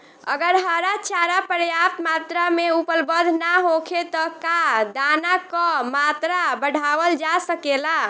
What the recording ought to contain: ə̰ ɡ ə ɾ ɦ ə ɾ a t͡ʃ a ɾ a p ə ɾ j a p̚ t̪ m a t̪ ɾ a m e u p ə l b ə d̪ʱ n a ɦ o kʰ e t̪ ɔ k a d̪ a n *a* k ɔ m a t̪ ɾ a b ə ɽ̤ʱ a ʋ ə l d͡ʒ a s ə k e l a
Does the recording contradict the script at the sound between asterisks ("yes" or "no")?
no